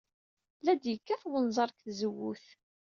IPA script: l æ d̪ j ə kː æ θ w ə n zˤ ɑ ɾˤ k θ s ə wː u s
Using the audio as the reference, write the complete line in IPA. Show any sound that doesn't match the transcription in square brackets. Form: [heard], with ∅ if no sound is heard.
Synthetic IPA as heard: l æ d̪ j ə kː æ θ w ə n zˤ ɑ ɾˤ k θ [z] ə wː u [θ]